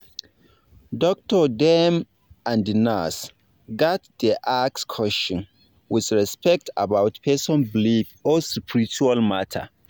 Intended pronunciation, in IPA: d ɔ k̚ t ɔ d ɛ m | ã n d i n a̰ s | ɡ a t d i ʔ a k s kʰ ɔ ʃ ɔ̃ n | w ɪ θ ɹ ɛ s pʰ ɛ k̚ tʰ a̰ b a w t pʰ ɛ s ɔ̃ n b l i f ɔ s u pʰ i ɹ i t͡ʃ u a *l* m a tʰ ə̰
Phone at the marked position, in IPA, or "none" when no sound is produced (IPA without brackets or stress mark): l